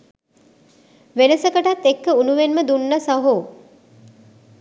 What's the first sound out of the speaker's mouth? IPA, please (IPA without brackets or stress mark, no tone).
ʋ